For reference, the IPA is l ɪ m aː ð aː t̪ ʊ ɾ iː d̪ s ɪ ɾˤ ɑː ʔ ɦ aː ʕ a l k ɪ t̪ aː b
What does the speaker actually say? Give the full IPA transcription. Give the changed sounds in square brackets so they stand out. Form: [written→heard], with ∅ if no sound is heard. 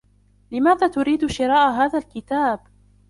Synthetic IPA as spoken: l ɪ m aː ð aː t̪ ʊ ɾ iː d̪ [s→ʃ] ɪ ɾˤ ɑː ʔ ɦ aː [ʕ→ð] a l k ɪ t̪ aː b